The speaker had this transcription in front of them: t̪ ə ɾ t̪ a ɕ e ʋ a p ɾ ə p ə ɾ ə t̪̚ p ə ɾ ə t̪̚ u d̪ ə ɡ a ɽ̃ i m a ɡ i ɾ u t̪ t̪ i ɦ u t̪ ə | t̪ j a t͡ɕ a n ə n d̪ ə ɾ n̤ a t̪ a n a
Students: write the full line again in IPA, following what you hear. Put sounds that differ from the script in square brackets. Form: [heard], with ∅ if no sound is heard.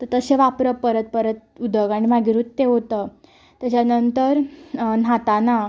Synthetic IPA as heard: t̪ ə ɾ t̪ [ə] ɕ e ʋ a p ɾ ə p ə ɾ ə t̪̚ p ə ɾ ə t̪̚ u d̪ ə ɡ a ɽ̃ i m a ɡ i ɾ u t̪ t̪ [e] ɦ [o] t̪ ə | t̪ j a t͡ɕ a n ə n [t̪] ə ɾ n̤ a t̪ a n a